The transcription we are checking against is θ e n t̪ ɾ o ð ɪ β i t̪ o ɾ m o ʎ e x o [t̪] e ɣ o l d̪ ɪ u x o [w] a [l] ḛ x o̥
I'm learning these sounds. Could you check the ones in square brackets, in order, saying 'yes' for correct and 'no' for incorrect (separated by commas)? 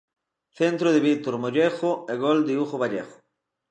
no, no, no